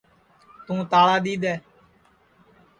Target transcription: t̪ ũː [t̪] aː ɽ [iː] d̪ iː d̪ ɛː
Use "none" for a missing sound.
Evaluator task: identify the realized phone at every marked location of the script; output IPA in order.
t̪, aː

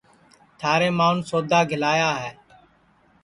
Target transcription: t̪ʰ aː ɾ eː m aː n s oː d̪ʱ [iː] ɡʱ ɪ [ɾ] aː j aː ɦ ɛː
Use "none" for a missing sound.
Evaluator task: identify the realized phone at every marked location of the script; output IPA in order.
aː, l

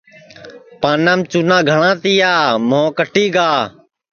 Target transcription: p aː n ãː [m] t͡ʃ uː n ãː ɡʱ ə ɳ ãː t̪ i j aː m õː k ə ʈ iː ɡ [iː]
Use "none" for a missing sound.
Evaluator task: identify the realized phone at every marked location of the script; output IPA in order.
m, aː

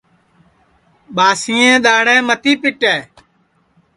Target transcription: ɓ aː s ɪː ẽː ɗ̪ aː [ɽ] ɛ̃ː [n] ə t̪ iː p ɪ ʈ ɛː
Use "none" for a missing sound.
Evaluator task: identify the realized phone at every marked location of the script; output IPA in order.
ɽ, m

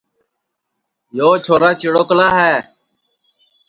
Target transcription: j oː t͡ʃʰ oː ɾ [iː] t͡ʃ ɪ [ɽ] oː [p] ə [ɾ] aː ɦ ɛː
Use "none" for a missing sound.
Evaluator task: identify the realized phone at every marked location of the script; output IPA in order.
aː, ɽ, k, l

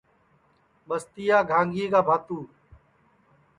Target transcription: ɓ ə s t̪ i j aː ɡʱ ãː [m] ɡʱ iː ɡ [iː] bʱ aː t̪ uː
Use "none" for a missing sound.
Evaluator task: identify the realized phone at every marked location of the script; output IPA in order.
ŋ, aː

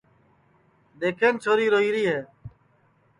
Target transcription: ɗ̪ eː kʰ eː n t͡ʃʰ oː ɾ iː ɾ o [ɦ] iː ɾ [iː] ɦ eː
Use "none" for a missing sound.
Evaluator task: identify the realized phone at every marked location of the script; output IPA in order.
ɦ, iː

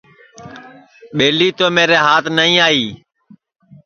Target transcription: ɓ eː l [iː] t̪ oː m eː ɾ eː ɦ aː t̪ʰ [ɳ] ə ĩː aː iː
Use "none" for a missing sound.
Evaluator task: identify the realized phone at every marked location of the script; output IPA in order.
iː, n

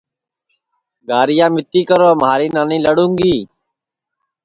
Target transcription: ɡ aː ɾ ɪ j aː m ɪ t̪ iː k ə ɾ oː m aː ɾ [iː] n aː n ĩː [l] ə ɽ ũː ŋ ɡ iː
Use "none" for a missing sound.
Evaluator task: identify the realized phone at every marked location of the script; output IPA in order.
iː, l

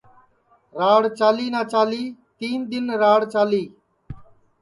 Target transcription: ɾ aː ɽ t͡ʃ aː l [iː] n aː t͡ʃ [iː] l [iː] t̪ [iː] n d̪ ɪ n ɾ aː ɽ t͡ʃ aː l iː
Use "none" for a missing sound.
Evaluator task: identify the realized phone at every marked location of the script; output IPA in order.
iː, aː, iː, iː

